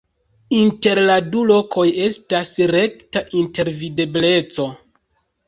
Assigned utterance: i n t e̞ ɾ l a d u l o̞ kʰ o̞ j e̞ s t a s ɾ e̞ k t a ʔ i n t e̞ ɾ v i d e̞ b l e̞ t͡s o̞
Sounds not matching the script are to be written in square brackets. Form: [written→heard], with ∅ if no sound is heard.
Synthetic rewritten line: i n t e̞ ɾ l a d u l o̞ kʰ o̞ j e̞ s t a s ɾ e̞ k t a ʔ i n t e̞ ɾ v i d e̞ b l e̞ t͡s o̞

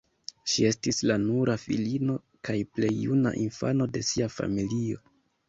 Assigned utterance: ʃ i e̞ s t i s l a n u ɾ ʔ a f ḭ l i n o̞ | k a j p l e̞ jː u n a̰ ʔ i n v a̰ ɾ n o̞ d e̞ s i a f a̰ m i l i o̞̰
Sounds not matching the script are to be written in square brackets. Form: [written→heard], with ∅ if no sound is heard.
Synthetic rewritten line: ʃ i e̞ s t i s l a n u ɾ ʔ a f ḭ l i n o̞ | k a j p l e̞ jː u n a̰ ʔ i n [v→f] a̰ [ɾ→∅] n o̞ d e̞ s i a f a̰ m i l i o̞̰

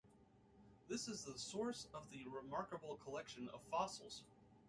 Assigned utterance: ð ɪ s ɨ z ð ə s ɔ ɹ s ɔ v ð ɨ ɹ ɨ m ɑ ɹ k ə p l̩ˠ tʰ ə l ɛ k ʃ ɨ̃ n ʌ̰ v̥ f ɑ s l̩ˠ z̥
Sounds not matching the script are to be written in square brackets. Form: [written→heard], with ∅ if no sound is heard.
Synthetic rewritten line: ð ɪ s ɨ z ð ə s ɔ ɹ s [ɔ→ʌ] v ð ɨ ɹ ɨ m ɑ ɹ k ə [p→b] l̩ˠ [tʰ→kʰ] ə l ɛ k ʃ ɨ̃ n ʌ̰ v̥ f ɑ s l̩ˠ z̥

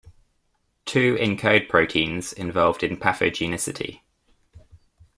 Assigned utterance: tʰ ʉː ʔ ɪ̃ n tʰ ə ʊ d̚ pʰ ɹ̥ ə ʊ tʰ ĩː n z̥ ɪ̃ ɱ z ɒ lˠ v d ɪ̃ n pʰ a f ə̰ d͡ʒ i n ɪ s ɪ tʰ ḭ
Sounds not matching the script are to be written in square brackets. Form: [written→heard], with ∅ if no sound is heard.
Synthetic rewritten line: tʰ ʉː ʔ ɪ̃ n [tʰ→kʰ] ə ʊ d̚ pʰ ɹ̥ ə ʊ tʰ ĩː n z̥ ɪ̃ ɱ [z→v] ɒ lˠ v d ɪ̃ n pʰ a f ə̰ d͡ʒ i n ɪ s ɪ tʰ ḭ

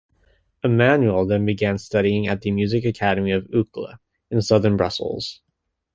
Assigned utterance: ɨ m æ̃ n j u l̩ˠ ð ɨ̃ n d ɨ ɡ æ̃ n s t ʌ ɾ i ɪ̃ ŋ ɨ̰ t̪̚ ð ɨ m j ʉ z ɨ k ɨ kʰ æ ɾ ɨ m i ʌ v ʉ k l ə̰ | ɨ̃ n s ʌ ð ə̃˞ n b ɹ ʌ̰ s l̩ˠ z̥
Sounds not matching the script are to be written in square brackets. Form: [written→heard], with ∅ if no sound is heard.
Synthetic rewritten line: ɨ m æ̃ n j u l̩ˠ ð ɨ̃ n [d→b] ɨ ɡ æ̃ n s t ʌ ɾ i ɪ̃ ŋ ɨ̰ t̪̚ ð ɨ m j ʉ z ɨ k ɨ kʰ æ ɾ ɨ m i ʌ v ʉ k l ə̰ | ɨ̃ n s ʌ ð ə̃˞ n b ɹ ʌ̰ s l̩ˠ z̥

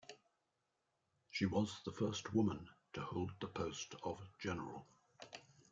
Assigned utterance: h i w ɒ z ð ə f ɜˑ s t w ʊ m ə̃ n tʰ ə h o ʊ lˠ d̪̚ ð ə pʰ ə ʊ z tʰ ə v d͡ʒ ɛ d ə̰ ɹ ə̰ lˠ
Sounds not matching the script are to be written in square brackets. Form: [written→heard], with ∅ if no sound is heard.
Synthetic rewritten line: [h→ʃ] i w ɒ z ð ə f ɜˑ s t w ʊ m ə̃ n tʰ ə h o ʊ lˠ d̪̚ ð ə pʰ ə ʊ [z→s] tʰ ə v d͡ʒ ɛ [d→n] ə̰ ɹ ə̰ lˠ

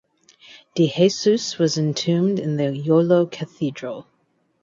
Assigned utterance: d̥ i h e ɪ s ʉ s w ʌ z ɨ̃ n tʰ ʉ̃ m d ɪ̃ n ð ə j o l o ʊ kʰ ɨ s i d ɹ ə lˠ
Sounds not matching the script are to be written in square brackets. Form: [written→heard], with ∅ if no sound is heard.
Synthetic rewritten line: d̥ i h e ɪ s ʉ s w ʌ z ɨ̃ n tʰ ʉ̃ m d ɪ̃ n ð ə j o l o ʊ kʰ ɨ [s→θ] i d ɹ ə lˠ

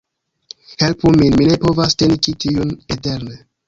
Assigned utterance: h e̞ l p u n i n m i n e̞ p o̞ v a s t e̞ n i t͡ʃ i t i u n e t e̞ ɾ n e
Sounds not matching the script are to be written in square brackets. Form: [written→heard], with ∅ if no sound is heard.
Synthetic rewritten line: h e̞ l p u [n→m] i n m i n e̞ p o̞ v a s t e̞ n i t͡ʃ i t i u n e t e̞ ɾ n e

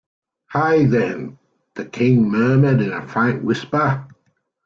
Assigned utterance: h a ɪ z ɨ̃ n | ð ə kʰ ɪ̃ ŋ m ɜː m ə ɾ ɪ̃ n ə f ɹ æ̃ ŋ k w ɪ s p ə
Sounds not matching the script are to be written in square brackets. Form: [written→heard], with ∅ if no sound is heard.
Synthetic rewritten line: h a ɪ [z→ð] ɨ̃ n | ð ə kʰ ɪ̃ ŋ m ɜː m ə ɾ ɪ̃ n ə f ɹ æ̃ ŋ k w ɪ s p ə

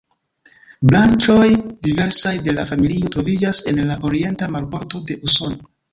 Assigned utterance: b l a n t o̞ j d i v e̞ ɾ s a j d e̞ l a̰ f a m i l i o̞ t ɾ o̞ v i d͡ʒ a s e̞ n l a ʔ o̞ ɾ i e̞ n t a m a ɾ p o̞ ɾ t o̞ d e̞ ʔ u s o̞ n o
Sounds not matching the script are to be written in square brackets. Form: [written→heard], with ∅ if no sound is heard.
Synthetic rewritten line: b l a n [t→t͡ʃ] o̞ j d i v e̞ ɾ s a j d e̞ l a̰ f a m i l i o̞ t ɾ o̞ v i d͡ʒ a s e̞ n l a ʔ o̞ ɾ i e̞ n t a m a ɾ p o̞ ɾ t o̞ d e̞ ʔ u s o̞ n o

